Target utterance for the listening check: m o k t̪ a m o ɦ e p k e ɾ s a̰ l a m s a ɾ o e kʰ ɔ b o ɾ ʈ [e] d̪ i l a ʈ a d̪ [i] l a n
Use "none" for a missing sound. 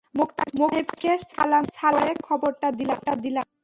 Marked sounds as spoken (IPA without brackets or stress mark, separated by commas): a, i